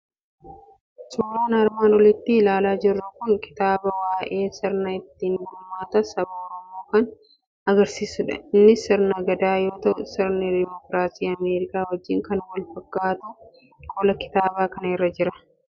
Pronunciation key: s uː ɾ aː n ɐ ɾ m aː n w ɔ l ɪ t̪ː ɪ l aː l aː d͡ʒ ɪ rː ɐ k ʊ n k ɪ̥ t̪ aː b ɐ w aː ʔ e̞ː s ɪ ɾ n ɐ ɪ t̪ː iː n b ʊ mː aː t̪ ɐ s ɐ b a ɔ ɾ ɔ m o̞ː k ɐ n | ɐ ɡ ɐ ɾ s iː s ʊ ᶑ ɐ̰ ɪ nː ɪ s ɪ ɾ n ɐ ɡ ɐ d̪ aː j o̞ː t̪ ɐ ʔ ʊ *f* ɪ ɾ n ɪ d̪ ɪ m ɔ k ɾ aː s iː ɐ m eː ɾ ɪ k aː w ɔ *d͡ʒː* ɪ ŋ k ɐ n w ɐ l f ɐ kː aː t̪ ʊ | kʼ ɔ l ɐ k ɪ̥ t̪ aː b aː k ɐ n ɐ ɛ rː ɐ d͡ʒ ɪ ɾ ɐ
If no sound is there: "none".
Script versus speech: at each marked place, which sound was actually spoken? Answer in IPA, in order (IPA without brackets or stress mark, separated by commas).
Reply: s, d͡ʒː